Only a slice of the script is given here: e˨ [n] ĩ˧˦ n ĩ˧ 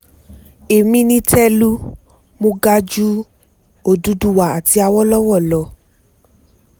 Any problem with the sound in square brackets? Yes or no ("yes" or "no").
yes